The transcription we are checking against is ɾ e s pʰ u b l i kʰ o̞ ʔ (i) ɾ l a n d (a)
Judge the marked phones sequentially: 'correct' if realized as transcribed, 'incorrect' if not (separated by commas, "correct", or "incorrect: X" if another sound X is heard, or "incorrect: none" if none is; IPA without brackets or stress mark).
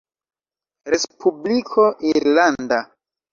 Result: correct, correct